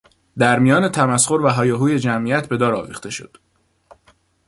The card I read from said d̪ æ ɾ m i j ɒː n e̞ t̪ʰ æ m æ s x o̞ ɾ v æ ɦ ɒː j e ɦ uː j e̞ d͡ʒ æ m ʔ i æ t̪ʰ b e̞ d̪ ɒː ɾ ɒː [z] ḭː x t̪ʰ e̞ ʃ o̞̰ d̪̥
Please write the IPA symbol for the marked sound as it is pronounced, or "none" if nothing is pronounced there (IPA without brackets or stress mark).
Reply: v